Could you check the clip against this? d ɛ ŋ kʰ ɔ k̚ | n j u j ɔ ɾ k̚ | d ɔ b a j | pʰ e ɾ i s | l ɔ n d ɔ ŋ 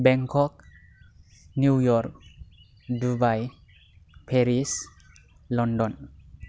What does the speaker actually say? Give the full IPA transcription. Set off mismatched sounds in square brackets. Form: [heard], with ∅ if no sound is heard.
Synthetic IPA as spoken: [b] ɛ ŋ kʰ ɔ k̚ | n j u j ɔ ɾ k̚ | d [u] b a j | pʰ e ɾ i s | l ɔ n d ɔ [n]